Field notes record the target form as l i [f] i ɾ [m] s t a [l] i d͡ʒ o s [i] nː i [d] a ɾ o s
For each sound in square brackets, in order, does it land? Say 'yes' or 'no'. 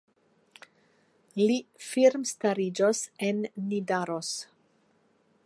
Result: yes, yes, no, no, yes

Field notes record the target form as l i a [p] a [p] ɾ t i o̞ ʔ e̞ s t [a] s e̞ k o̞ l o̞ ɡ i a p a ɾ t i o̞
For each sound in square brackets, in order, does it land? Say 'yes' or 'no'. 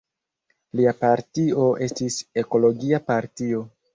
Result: yes, no, no

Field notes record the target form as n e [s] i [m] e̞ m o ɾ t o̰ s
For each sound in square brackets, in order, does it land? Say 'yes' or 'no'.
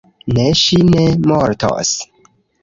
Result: no, no

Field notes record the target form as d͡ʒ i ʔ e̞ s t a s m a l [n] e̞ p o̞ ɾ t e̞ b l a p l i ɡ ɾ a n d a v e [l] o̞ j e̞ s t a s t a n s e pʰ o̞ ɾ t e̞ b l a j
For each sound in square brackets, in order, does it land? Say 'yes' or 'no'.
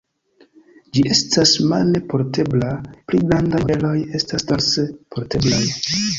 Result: yes, yes

